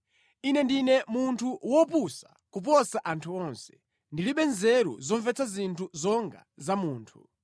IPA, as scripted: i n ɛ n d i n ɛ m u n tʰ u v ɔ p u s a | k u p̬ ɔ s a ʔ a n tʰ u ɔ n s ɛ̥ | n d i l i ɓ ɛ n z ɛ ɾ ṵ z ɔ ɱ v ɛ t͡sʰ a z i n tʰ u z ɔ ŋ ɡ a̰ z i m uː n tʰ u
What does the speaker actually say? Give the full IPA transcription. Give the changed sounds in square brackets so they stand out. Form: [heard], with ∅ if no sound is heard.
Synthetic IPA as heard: i n ɛ n d i n ɛ m u n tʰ u [w] ɔ p u s a | k u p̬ ɔ s a ʔ a n tʰ u ɔ n s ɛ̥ | n d i l i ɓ ɛ n z ɛ ɾ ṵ z ɔ ɱ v ɛ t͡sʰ a z i n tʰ u z ɔ ŋ ɡ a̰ z [a] m uː n tʰ u